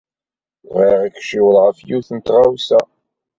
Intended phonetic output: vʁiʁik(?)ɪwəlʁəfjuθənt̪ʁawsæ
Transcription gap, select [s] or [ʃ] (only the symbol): ʃ